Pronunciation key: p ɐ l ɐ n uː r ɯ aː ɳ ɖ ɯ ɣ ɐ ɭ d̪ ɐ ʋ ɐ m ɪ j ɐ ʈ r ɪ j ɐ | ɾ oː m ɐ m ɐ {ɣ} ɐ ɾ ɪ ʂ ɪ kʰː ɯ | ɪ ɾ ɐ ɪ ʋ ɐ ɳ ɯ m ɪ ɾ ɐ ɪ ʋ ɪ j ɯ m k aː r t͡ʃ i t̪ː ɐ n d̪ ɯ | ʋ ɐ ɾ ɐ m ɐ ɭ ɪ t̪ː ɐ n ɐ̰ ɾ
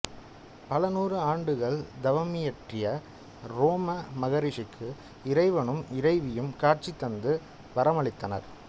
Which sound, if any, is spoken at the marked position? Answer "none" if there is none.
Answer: ɣ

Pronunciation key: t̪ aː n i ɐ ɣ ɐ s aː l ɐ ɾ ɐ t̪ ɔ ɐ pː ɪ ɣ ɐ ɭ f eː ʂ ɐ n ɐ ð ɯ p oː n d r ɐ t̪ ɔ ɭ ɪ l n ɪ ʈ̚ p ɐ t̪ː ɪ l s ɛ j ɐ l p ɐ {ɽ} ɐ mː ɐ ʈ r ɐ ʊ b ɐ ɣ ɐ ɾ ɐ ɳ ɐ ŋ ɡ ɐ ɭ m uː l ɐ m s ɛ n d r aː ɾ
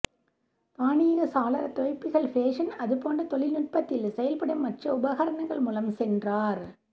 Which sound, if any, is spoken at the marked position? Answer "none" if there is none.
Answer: ɽ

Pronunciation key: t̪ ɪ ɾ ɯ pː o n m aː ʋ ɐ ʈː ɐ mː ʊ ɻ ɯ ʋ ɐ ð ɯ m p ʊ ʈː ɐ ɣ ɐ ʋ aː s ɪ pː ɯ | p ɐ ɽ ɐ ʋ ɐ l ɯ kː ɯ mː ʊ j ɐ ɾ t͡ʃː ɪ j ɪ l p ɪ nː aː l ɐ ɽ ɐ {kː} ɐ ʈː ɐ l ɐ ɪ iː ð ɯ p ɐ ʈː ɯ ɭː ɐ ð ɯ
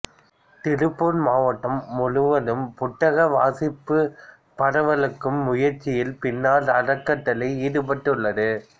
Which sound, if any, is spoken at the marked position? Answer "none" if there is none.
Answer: kː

